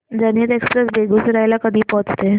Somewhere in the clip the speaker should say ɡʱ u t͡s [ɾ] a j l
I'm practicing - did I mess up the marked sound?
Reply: no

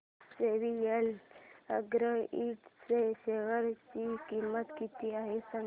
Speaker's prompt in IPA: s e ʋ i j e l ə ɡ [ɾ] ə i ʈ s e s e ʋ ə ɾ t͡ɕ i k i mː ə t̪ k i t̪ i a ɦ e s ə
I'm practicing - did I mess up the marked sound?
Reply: no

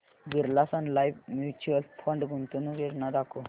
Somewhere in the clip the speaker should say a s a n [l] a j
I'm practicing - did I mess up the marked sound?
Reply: no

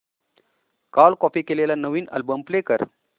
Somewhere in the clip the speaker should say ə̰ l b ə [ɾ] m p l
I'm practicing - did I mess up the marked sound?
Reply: yes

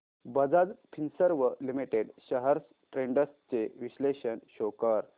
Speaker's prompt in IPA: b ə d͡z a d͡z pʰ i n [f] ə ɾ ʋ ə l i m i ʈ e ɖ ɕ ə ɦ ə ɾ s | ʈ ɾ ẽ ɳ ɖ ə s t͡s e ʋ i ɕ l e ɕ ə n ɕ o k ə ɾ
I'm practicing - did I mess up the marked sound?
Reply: yes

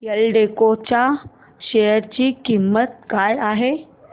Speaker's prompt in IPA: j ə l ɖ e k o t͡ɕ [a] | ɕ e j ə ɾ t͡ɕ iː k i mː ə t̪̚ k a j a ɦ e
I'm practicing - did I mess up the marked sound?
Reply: no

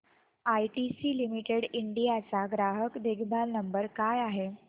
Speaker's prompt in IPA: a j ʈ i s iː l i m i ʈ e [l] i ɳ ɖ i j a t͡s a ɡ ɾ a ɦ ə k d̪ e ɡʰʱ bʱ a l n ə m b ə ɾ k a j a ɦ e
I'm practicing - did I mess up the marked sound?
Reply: yes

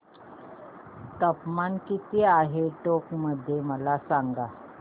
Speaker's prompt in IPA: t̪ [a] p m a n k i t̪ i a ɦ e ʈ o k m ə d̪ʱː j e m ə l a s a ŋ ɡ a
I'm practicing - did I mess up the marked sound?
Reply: yes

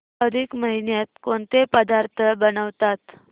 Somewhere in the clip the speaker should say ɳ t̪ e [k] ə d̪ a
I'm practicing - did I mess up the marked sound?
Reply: yes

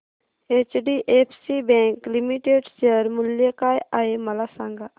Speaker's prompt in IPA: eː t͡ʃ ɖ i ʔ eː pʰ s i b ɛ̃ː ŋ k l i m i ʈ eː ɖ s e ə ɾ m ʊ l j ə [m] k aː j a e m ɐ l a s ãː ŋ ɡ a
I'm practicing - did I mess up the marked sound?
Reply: yes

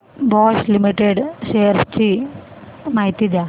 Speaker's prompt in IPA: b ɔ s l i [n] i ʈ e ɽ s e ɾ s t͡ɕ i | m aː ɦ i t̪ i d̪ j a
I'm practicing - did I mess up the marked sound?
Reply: yes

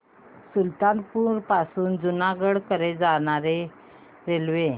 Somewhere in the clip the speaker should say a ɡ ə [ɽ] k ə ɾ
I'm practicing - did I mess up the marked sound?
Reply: no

